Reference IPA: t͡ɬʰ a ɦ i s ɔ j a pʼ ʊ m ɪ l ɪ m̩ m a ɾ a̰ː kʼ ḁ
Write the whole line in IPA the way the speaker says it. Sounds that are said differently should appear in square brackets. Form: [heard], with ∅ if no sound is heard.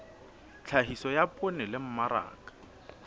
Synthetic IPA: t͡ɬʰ a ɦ i s ɔ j a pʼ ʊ [n] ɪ l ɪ m̩ m a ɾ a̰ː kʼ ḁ